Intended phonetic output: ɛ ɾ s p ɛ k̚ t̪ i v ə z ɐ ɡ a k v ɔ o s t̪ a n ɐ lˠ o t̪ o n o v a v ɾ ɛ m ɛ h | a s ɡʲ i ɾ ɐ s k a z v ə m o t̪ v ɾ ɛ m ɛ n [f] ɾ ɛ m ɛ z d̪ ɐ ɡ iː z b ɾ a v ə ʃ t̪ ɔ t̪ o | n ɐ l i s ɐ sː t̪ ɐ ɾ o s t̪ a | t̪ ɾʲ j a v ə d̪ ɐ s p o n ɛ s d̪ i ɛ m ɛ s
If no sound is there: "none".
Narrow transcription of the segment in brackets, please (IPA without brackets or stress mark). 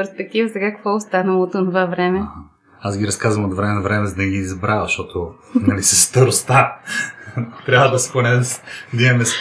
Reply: v